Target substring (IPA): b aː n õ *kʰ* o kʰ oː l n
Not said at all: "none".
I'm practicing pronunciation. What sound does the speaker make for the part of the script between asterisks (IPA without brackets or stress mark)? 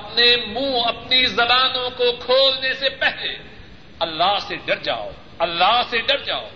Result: k